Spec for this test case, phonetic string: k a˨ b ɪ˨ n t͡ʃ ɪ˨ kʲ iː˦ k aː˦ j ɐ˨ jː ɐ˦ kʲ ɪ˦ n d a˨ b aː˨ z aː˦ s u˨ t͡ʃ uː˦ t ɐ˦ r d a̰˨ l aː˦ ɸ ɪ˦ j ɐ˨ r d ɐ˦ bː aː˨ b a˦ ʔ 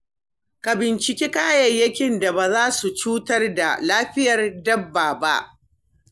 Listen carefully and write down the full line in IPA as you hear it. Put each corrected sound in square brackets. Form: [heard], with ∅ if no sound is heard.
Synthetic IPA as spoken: k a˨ b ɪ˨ n t͡ʃ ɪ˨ kʲ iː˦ k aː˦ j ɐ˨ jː ɐ˦ kʲ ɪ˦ n d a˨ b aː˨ z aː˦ s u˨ t͡ʃ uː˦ t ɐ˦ r d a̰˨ l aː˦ ɸ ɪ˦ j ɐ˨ r d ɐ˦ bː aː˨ b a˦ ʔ